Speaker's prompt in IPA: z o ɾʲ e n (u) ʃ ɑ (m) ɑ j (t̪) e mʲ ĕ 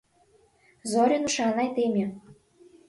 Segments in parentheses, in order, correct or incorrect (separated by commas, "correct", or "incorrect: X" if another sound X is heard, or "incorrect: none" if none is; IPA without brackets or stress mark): correct, incorrect: n, correct